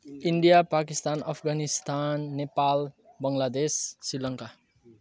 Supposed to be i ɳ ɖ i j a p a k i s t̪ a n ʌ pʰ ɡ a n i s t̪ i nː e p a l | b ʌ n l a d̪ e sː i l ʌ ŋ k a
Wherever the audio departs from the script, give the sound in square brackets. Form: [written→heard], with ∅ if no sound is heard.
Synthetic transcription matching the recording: i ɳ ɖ i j a p a k i s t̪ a n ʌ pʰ ɡ a n i s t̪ [i→a] nː e p a l | b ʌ [n→ŋ] l a d̪ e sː i l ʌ ŋ k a